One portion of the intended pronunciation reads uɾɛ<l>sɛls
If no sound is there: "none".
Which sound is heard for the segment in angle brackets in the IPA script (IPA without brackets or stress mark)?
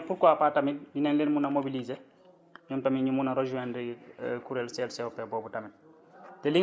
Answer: l